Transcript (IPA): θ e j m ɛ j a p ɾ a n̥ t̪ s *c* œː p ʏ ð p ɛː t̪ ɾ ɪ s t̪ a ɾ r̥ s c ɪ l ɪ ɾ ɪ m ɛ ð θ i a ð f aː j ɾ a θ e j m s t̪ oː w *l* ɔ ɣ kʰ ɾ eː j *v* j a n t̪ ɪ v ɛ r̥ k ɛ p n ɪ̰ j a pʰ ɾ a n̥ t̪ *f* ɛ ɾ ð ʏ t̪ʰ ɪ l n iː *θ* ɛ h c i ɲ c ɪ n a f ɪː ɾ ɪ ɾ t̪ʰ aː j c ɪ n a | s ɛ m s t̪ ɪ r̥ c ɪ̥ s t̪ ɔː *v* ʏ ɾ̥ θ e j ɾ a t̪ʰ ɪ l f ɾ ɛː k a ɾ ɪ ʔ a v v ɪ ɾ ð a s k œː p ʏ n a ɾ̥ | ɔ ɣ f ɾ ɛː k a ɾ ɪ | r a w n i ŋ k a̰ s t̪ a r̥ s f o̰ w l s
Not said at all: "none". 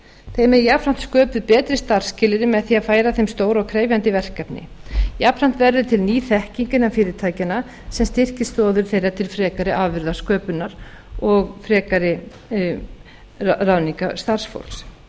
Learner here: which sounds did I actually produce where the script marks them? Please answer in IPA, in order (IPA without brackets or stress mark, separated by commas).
k, ɾ, v, v, θ, ð